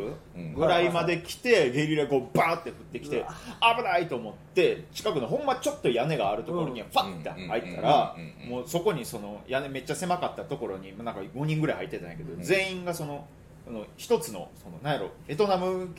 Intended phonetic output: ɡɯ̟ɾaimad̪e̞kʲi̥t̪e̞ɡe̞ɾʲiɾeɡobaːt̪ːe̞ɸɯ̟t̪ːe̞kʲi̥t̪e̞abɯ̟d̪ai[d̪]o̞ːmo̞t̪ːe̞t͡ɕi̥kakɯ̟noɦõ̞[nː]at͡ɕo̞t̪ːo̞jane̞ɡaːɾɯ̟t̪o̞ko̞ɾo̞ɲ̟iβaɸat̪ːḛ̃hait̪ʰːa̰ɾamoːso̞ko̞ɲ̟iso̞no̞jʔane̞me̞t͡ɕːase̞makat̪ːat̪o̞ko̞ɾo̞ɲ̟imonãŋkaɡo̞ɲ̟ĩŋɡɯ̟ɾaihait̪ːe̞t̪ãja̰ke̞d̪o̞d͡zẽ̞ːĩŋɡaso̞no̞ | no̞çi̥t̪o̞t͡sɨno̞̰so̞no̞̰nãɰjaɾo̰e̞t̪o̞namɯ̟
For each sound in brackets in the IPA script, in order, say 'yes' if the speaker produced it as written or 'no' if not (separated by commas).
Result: no, no